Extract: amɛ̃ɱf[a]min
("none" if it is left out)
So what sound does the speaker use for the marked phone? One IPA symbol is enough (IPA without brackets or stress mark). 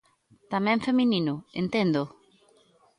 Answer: e